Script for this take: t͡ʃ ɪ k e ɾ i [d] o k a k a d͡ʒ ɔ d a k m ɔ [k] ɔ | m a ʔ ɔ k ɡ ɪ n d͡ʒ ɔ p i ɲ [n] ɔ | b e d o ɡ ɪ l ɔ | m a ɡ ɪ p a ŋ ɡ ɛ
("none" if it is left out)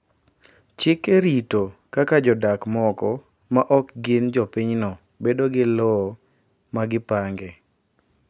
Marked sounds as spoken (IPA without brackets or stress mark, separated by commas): t, k, n